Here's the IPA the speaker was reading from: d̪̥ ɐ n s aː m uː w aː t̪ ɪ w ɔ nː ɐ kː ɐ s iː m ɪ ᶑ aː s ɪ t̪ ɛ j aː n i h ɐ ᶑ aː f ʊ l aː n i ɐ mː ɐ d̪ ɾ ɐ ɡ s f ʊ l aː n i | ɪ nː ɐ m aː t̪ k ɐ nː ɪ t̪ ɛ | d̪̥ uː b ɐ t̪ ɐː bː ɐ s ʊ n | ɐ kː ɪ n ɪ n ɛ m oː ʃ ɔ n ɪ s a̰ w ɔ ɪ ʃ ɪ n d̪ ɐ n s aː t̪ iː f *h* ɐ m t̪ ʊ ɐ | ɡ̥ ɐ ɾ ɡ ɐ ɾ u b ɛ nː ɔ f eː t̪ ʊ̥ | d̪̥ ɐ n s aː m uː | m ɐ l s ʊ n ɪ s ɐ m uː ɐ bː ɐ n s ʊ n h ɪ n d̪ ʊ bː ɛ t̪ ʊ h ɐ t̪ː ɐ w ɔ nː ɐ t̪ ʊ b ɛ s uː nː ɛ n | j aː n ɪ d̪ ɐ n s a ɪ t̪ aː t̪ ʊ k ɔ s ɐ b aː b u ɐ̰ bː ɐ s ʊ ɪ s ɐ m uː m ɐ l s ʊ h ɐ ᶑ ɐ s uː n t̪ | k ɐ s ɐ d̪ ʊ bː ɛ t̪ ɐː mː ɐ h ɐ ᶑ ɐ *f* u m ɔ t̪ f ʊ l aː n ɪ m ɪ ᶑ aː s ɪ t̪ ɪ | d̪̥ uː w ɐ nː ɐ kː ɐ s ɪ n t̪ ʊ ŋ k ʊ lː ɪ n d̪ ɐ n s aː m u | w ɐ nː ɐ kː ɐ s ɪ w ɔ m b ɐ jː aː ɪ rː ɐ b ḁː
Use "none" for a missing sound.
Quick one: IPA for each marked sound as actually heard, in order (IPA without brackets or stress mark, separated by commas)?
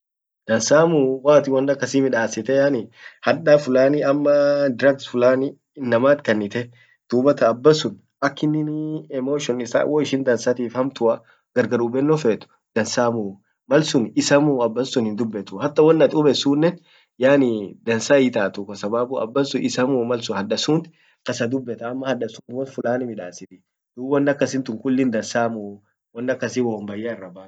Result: h, s